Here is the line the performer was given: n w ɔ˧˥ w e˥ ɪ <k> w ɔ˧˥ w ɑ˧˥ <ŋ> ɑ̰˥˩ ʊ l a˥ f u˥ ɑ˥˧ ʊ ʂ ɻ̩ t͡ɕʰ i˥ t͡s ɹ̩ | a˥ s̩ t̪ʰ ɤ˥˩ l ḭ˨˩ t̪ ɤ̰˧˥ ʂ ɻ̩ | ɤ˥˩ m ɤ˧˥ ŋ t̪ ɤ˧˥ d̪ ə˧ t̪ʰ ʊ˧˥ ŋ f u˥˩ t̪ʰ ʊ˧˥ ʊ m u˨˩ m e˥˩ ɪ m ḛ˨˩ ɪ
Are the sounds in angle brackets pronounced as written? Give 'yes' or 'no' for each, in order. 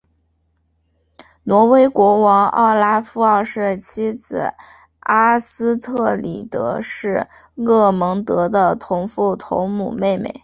yes, yes

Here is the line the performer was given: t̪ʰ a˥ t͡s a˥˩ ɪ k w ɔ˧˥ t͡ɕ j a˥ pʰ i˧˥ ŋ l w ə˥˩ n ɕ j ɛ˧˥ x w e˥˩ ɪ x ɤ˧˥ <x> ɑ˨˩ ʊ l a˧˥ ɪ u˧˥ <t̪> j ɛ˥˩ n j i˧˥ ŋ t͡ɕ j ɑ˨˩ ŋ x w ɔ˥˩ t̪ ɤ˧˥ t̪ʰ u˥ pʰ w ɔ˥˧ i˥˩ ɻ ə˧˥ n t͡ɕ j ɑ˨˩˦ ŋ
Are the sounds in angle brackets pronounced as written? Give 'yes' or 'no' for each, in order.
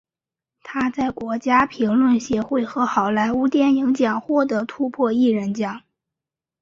yes, yes

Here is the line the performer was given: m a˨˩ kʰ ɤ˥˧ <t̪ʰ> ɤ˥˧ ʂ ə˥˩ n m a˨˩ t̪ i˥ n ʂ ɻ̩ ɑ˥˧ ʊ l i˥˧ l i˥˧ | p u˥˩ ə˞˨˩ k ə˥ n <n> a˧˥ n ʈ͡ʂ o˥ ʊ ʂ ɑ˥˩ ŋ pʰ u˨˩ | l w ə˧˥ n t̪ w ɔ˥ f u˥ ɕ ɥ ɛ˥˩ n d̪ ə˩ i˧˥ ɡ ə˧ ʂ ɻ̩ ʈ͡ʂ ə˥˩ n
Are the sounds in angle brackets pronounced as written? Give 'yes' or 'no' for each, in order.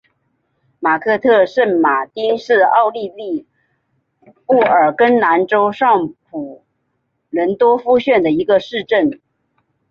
yes, yes

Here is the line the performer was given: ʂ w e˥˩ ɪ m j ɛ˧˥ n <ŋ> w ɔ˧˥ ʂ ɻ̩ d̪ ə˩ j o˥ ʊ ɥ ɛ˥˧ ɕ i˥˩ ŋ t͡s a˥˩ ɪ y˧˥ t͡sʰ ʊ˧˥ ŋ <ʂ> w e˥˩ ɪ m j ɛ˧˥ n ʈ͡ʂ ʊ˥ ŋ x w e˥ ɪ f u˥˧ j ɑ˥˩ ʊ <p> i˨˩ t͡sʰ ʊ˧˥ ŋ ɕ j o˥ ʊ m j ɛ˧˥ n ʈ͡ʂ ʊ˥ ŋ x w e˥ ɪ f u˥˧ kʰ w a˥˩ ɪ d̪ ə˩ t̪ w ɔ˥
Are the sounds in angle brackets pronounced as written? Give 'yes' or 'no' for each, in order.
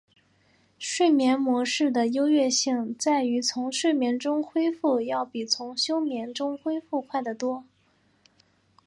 no, yes, yes

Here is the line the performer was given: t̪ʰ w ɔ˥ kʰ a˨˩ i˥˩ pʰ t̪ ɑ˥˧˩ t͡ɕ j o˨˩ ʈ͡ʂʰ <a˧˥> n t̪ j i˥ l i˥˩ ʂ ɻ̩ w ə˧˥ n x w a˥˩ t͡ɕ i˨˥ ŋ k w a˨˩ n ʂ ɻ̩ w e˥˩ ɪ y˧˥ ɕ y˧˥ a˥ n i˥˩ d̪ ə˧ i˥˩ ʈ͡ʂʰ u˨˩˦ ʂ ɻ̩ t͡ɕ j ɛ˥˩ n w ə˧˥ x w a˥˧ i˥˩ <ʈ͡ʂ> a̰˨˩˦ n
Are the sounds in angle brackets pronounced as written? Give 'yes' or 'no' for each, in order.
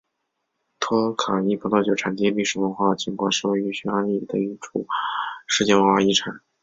no, no

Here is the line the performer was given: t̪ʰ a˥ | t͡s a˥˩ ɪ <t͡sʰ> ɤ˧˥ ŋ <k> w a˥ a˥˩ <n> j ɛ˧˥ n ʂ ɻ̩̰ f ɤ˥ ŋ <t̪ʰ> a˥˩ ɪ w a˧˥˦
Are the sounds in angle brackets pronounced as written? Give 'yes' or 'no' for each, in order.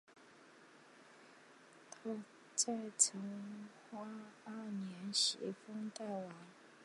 yes, no, yes, no

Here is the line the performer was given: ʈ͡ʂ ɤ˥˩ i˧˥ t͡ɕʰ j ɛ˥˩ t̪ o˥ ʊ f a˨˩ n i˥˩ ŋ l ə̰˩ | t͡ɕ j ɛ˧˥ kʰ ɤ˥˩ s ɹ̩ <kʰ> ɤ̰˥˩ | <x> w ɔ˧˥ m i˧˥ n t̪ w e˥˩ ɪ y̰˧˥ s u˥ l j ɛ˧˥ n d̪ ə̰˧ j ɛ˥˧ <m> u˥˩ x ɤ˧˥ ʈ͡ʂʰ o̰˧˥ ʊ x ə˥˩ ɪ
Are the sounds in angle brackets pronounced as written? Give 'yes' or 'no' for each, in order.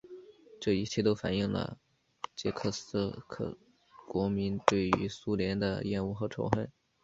yes, no, no

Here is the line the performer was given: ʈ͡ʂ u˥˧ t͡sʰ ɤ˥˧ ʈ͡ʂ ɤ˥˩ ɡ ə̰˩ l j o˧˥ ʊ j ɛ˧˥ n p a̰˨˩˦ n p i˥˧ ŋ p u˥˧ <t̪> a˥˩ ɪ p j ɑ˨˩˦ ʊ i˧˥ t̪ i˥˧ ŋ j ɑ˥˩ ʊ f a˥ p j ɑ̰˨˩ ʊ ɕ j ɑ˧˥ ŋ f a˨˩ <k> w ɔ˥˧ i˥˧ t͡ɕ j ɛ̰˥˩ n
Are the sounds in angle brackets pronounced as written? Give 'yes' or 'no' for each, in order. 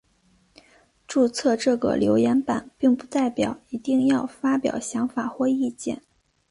yes, no

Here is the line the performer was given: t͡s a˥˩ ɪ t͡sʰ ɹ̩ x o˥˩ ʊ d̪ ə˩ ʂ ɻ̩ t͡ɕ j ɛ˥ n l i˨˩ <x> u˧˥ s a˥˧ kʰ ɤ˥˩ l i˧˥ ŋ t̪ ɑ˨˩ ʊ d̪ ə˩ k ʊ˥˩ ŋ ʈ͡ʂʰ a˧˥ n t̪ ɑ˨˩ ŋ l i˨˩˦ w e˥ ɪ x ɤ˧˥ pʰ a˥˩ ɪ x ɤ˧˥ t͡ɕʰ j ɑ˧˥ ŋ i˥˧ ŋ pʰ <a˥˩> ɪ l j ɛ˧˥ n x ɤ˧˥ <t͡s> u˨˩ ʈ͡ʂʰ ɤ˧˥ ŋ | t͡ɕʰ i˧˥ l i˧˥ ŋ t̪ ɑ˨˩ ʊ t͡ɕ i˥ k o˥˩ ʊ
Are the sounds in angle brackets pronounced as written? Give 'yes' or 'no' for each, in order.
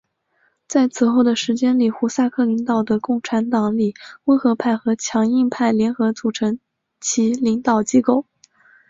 yes, yes, yes

